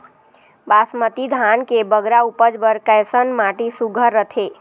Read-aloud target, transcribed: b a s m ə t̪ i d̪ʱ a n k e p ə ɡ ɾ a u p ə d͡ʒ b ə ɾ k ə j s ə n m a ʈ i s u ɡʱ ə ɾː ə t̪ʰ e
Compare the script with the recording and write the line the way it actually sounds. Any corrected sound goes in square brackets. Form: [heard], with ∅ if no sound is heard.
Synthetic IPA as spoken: b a s m ə t̪ i d̪ʱ a n k e [b] ə ɡ ɾ a u p ə d͡ʒ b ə ɾ k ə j s ə n m a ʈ i s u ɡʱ ə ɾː ə t̪ʰ e